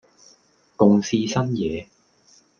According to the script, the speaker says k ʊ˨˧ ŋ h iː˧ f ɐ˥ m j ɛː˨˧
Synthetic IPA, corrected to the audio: k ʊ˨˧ ŋ s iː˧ s ɐ˥ n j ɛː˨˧